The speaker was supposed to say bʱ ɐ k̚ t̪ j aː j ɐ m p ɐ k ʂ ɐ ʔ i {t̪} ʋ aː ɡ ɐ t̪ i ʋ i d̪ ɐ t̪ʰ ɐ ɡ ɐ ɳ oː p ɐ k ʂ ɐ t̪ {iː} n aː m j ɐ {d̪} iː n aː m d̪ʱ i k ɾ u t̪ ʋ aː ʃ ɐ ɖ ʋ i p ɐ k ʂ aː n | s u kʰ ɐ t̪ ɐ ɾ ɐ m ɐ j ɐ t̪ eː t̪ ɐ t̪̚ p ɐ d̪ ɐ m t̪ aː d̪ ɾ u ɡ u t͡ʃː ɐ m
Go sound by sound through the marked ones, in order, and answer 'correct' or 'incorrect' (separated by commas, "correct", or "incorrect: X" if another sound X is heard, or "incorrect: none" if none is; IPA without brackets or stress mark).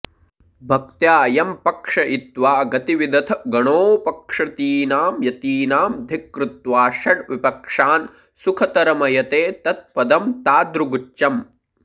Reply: correct, correct, incorrect: t̪